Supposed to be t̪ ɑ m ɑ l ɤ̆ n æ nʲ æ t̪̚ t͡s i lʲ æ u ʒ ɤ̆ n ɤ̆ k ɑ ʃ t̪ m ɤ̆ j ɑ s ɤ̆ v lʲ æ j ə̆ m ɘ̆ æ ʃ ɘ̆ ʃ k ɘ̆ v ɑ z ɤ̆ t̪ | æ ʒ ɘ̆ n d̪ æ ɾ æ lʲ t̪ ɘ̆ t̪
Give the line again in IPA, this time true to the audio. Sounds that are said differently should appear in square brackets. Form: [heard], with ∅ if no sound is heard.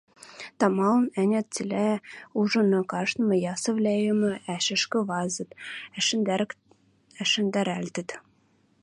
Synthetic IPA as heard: t̪ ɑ m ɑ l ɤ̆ n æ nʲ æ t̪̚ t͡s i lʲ æ u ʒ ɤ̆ n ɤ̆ k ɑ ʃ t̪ m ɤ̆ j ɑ s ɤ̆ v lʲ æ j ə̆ m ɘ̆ æ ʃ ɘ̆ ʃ k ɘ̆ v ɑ z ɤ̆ t̪ | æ [ʃ] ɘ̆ n d̪ æ ɾ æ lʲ t̪ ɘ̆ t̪